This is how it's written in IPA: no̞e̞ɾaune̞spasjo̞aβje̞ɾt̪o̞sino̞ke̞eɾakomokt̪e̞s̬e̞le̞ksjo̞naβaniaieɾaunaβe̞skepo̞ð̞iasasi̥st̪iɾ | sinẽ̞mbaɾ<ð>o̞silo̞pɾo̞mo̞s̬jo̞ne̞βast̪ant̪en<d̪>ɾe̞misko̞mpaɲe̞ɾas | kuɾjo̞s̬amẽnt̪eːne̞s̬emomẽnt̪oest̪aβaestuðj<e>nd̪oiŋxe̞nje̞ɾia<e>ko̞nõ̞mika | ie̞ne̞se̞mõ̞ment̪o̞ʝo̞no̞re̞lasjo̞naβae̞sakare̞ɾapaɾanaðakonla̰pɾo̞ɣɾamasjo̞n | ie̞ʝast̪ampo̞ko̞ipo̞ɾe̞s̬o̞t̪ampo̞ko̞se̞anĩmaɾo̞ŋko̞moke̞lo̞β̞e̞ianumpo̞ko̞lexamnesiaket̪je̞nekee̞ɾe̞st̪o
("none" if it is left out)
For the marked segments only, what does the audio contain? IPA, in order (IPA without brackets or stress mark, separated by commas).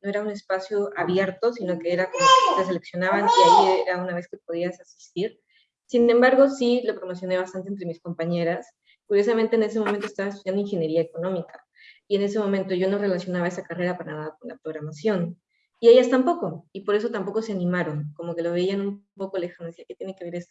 ɣ, t̪, a, e